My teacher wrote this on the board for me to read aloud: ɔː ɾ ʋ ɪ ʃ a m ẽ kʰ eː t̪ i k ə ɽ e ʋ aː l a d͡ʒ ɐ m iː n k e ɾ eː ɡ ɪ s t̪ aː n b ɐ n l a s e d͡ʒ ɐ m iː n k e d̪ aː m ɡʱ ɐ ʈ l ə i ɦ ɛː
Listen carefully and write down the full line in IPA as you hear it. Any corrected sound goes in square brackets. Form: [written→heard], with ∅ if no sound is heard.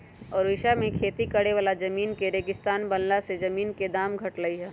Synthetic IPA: ɔː ɾ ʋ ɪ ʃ a m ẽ kʰ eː t̪ i k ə ɽ e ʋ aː l a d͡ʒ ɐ m iː n k e ɾ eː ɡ ɪ s t̪ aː n b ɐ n l a s e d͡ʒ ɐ m iː n k e d̪ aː m ɡʱ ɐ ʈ l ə i ɦ ɛː